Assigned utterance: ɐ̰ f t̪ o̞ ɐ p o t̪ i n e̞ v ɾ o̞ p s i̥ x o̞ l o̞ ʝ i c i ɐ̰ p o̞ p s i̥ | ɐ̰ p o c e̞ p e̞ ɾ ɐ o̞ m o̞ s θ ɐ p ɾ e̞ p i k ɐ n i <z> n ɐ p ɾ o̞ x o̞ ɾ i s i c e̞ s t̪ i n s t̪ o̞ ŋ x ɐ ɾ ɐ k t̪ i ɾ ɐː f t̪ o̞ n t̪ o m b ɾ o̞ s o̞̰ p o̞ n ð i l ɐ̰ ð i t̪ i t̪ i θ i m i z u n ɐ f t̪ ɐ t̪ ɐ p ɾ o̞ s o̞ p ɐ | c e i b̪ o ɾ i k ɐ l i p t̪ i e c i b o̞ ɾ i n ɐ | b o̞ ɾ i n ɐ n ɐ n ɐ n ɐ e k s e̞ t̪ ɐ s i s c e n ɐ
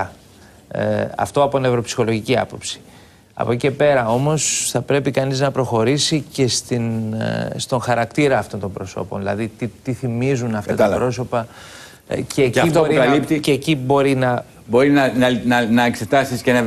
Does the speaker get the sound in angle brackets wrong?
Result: no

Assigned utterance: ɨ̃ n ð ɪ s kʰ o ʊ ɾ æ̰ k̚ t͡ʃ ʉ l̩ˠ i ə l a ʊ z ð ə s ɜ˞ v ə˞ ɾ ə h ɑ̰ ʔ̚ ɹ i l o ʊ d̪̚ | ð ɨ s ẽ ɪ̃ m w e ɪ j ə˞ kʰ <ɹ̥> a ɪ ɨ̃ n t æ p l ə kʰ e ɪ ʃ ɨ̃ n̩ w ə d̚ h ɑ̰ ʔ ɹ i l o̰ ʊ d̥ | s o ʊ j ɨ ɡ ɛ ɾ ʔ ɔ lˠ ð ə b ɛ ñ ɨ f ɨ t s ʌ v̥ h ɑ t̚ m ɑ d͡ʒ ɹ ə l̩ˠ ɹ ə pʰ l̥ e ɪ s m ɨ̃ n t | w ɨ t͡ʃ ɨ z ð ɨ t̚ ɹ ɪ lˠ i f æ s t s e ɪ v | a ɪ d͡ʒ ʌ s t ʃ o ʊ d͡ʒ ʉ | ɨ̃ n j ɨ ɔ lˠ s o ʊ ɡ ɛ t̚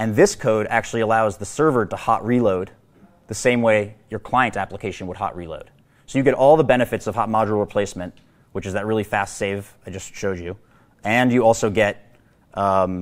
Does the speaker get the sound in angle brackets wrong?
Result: yes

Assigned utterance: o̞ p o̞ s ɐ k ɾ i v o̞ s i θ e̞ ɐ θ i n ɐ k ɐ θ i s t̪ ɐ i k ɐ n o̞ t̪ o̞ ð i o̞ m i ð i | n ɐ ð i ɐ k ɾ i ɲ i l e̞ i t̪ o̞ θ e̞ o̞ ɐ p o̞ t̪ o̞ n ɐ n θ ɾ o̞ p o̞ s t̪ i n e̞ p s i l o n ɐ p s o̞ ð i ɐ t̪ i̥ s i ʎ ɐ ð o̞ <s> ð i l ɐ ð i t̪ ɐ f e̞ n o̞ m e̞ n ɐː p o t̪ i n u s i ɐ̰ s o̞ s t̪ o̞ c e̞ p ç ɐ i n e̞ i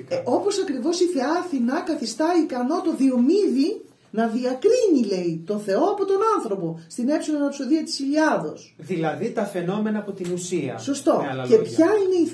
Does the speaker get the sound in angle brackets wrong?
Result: no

